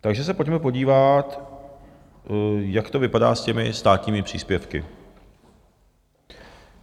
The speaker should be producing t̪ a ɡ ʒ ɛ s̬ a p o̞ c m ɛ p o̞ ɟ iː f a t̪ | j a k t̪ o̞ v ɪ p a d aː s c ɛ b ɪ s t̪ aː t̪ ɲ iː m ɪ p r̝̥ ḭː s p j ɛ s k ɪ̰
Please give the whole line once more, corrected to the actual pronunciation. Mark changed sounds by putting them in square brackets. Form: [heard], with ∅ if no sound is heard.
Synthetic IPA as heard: t̪ a ɡ ʒ ɛ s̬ [ɛ] p o̞ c m ɛ p o̞ ɟ iː [v] a t̪ | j a k t̪ o̞ v ɪ p a d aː s c ɛ [m] ɪ s t̪ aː t̪ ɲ iː m ɪ p r̝̥ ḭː s p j ɛ [f] k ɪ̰